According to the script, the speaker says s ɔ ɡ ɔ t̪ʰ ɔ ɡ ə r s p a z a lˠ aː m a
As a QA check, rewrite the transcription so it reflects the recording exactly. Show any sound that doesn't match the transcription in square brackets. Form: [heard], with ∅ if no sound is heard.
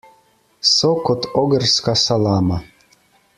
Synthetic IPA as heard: s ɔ [k] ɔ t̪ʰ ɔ ɡ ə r s [k] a [s] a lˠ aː m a